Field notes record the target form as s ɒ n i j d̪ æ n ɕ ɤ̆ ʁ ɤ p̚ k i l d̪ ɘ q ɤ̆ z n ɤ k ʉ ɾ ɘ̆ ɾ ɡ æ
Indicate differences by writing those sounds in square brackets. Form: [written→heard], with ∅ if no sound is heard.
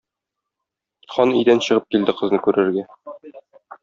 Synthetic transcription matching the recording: [s→χ] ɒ n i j d̪ æ n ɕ ɤ̆ ʁ ɤ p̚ k i l d̪ ɘ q ɤ̆ z n ɤ k ʉ ɾ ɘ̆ ɾ ɡ æ